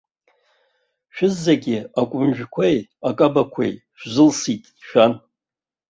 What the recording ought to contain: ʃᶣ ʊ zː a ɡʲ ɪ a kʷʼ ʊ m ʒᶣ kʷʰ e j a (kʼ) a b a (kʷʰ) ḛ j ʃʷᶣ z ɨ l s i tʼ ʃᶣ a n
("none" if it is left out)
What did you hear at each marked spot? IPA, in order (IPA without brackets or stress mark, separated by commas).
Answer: kʼ, kʷʰ